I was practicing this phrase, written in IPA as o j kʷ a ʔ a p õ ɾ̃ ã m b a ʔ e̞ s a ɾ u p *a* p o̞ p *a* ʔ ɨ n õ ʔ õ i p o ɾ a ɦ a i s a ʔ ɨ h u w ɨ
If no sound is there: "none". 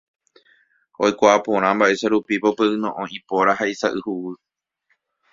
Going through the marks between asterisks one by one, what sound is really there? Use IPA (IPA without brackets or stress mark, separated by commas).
i, e